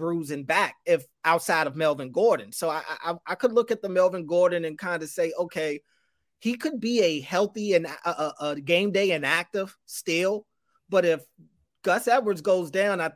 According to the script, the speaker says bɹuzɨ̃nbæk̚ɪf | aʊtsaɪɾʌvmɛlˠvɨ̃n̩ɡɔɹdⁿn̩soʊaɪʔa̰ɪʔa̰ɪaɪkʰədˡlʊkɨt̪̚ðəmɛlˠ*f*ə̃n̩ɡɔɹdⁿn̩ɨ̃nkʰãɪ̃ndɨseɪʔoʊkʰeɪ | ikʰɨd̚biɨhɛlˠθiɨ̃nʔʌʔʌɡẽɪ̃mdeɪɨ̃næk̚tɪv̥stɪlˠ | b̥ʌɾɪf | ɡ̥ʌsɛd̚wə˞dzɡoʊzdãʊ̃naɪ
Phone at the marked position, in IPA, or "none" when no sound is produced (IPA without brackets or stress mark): v